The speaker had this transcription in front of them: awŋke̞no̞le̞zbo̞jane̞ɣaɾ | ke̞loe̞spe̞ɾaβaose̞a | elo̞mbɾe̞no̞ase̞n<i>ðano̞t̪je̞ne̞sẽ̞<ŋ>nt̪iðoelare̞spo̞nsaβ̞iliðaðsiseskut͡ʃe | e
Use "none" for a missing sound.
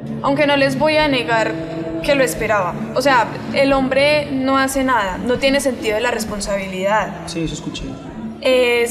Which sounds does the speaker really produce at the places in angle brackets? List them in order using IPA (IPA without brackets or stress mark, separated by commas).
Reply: a, none